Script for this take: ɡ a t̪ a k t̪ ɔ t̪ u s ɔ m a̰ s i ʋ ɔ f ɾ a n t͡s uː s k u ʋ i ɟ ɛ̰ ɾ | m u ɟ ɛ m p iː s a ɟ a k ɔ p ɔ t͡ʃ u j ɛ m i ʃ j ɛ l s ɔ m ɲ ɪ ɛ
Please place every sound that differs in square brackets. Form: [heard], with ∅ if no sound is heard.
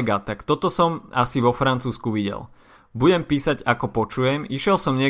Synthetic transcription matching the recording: ɡ a t̪ a k t̪ ɔ t̪ [ɔ] s ɔ m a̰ s i ʋ ɔ f ɾ a n t͡s uː s k u ʋ i ɟ ɛ̰ [l] | [b] u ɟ ɛ m p iː s a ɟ a k ɔ p ɔ t͡ʃ u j ɛ m i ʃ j ɛ l s ɔ m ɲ ɪ ɛ